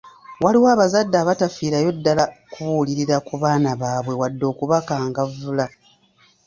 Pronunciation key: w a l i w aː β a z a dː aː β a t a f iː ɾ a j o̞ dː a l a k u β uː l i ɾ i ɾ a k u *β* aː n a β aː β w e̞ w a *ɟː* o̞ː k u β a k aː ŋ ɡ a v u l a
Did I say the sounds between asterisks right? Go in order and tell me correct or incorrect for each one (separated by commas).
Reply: correct, incorrect